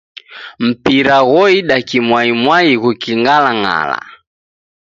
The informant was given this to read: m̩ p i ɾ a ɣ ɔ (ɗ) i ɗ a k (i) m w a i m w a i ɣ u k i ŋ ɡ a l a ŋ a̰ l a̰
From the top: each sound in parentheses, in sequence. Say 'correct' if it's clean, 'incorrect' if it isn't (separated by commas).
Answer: incorrect, correct